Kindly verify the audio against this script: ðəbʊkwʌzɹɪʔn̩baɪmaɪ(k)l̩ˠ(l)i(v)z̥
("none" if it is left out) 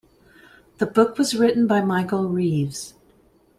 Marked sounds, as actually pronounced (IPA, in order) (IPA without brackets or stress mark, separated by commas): k, ɹ, v